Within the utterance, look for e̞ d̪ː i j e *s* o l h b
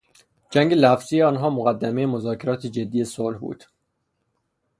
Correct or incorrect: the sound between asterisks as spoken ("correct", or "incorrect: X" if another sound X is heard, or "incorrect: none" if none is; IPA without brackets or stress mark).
correct